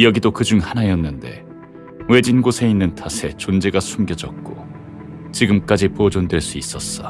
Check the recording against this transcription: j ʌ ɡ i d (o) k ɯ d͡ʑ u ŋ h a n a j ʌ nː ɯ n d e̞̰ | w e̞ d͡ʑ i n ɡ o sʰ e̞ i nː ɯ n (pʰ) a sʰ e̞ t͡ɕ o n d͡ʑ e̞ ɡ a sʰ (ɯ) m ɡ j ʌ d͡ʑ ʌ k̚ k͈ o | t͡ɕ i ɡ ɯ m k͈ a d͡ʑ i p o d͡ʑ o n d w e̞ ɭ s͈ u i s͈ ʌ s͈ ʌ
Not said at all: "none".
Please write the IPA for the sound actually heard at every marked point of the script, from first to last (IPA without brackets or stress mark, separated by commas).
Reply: o, tʰ, u